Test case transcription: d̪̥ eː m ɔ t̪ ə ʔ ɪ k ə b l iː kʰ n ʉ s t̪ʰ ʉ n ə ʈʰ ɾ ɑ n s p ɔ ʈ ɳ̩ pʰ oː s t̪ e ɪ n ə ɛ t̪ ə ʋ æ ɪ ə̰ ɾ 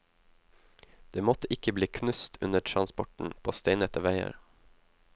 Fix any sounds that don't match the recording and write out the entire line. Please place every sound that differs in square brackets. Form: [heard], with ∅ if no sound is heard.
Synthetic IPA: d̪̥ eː m ɔ t̪ ə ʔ ɪ k ə b l iː kʰ n ʉ s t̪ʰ ʉ n ə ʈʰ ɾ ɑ n s p ɔ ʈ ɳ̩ pʰ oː s t̪ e ɪ n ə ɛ t̪ ə ʋ æ ɪ ə̰ ɾ

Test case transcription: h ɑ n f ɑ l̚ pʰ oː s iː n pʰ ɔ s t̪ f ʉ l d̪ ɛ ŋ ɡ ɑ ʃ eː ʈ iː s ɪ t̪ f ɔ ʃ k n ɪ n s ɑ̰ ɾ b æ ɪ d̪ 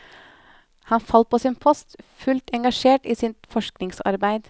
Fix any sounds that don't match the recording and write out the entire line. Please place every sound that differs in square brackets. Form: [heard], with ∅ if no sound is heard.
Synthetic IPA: h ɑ n f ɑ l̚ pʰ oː s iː n pʰ ɔ s t̪ f ʉ l [t̪] ɛ ŋ ɡ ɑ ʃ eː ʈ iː s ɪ t̪ f ɔ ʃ k n ɪ [ŋ] s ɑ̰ ɾ b æ ɪ d̪

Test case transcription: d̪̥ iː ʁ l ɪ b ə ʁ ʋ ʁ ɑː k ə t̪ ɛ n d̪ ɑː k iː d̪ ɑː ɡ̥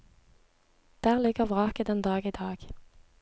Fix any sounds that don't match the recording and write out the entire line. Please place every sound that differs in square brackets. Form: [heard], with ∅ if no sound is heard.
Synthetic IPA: d̪̥ [æː] ʁ l ɪ [ɡ] ə ʁ ʋ ʁ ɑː k ə [d̪] ɛ n d̪ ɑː [ɡ] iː d̪ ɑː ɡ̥

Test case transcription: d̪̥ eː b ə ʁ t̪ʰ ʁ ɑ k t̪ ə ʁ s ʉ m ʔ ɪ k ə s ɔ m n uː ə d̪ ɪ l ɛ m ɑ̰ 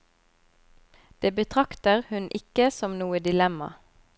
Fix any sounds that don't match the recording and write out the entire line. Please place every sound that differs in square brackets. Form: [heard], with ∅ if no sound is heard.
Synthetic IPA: d̪̥ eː b ə [∅] t̪ʰ ʁ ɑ k t̪ ə ʁ [h] ʉ [n] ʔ ɪ k ə s ɔ m n uː ə d̪ ɪ l ɛ m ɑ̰

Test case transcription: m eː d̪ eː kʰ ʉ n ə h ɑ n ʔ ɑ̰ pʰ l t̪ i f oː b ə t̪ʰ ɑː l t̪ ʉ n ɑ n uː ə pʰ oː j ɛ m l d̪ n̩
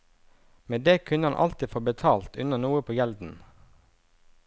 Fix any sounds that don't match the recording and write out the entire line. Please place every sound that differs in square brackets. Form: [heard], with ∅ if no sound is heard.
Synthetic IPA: m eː d̪ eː kʰ ʉ n ə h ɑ n ʔ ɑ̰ [∅] l t̪ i f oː b ə t̪ʰ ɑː l t̪ ʉ n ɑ n uː ə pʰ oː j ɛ [∅] l d̪ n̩

